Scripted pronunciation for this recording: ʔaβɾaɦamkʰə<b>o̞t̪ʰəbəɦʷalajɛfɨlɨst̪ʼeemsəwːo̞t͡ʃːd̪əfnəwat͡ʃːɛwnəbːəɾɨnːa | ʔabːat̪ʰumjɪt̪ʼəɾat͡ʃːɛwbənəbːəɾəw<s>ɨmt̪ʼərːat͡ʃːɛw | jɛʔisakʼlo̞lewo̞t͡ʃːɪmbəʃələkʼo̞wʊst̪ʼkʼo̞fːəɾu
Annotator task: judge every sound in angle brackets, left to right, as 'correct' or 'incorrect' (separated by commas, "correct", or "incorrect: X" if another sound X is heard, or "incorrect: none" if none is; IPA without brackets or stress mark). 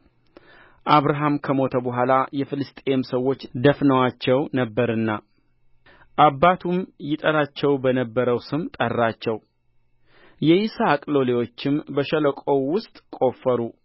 incorrect: m, correct